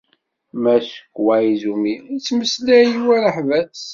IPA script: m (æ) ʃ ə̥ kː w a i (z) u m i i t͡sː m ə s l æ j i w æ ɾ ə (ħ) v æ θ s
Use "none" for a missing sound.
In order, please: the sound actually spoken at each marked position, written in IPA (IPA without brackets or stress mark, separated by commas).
æ, z, ħ